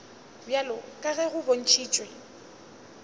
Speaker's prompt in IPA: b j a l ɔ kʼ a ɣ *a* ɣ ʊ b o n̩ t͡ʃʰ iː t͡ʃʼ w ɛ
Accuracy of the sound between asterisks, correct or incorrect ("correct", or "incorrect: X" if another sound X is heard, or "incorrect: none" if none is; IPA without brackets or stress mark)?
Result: incorrect: ɛ